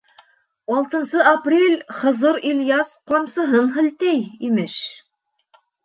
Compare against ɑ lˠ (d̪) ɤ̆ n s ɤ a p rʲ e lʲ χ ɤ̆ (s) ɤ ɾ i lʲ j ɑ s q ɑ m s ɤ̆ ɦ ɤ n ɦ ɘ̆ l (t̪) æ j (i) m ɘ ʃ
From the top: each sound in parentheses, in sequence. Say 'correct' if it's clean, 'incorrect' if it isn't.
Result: incorrect: t̪, incorrect: z, correct, correct

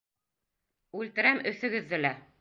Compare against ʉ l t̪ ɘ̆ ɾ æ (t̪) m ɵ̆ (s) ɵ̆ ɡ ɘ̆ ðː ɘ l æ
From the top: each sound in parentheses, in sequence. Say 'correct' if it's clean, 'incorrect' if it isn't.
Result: incorrect: none, incorrect: θ

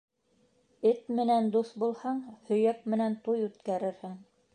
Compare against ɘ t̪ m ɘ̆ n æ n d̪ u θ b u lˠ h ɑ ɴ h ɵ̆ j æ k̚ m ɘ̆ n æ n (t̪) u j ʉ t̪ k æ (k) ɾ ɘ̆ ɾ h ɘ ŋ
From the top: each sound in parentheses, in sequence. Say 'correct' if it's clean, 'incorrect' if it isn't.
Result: correct, incorrect: none

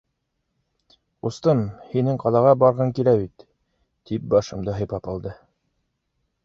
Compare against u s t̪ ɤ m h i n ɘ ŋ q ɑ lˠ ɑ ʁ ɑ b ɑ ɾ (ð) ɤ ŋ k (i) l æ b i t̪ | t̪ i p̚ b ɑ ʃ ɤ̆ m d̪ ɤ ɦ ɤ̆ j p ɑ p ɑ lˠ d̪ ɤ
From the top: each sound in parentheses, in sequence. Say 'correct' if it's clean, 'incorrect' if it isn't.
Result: incorrect: ʁ, correct

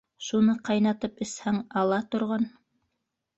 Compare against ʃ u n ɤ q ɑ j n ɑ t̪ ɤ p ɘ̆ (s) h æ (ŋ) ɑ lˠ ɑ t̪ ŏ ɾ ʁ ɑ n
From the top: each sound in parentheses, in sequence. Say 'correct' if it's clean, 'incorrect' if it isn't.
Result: correct, correct

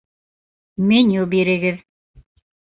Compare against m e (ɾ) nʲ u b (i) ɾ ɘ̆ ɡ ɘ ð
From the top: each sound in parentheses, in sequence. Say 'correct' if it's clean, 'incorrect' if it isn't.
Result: incorrect: none, correct

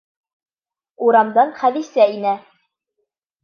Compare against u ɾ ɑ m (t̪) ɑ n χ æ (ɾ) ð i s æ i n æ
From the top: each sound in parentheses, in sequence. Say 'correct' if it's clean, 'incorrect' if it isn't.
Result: incorrect: d̪, incorrect: none

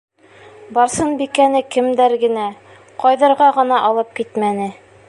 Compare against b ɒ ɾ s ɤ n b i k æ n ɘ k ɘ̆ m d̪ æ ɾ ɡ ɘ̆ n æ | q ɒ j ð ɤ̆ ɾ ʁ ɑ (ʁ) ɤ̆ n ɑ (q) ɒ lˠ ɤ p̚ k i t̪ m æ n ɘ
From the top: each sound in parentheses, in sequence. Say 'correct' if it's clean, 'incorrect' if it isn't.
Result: correct, incorrect: ʔ

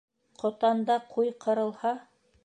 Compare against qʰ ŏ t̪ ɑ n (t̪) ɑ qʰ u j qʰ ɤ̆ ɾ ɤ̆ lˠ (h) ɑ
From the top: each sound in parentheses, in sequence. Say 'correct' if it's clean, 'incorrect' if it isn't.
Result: incorrect: d̪, correct

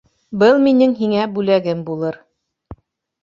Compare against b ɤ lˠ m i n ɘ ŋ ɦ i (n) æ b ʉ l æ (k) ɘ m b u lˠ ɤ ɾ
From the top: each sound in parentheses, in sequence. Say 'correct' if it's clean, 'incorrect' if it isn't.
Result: incorrect: ŋ, incorrect: ɡ

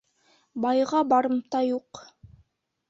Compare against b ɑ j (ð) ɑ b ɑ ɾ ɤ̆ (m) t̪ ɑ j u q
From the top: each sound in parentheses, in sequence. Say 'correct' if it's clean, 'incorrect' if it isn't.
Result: incorrect: ʁ, correct

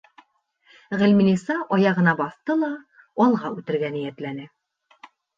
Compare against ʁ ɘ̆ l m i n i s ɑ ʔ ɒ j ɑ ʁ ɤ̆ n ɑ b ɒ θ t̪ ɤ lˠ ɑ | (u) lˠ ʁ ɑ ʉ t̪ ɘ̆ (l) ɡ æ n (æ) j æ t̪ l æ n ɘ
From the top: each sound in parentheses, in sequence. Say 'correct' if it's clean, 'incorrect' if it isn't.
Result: incorrect: ɒ, incorrect: ɾ, incorrect: i

